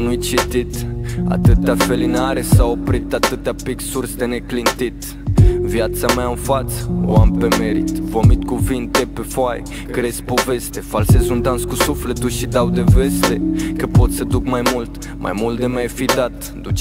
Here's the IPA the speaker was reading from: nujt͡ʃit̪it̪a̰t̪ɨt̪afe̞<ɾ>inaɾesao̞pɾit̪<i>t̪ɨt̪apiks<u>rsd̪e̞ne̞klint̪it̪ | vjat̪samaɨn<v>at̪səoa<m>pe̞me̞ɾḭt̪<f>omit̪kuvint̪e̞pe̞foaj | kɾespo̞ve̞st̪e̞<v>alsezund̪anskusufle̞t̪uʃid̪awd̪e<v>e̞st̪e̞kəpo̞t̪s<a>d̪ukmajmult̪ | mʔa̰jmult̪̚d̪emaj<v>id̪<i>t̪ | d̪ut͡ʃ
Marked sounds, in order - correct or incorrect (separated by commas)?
incorrect, incorrect, correct, incorrect, correct, incorrect, incorrect, correct, incorrect, incorrect, incorrect